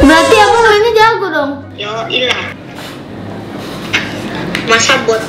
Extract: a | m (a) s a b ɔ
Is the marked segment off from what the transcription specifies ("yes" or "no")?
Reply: no